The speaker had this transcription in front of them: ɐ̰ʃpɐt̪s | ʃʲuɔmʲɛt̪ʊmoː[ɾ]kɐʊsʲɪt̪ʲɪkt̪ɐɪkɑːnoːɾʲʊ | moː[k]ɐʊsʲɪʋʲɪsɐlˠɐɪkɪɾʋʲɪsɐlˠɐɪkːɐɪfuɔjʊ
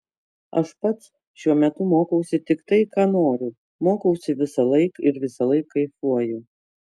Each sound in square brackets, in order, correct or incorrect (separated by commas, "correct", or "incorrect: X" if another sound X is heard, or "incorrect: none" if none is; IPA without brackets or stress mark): incorrect: none, correct